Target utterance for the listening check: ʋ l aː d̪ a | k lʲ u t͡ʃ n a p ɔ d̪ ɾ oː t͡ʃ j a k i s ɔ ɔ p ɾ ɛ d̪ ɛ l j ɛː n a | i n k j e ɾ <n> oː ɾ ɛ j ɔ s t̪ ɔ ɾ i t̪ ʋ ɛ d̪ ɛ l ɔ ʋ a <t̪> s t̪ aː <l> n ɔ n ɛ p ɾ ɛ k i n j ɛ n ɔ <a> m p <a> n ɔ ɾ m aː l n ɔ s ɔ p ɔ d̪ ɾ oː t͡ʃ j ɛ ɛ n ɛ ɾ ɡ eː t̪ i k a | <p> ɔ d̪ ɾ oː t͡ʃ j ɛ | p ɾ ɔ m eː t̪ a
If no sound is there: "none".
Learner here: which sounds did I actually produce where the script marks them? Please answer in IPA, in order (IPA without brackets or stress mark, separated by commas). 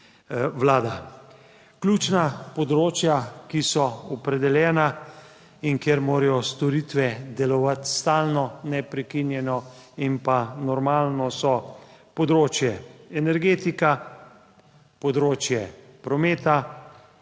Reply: m, t̪, l, i, a, p